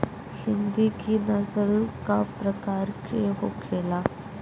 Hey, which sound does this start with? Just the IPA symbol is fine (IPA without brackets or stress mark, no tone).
h